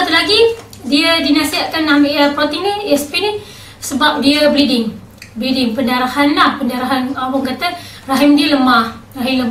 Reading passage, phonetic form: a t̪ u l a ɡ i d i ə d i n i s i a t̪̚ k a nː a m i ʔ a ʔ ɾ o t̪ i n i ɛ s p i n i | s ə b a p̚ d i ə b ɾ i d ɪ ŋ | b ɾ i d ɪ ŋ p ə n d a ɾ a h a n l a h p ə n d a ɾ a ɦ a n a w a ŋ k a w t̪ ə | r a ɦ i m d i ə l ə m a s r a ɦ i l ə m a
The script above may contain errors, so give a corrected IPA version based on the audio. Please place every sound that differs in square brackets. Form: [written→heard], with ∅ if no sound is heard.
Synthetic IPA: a t̪ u l a ɡ i d i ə d i n [i→a] s i a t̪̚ k a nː a m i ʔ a [ʔ→p] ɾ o t̪ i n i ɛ s p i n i | s ə b a p̚ d i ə b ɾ i d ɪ ŋ | b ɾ i d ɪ ŋ p ə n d a ɾ a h a n l a h p ə n d a ɾ a ɦ a n a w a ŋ k a [w→∅] t̪ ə | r a ɦ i m d i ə l ə m a [s→h] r a ɦ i l ə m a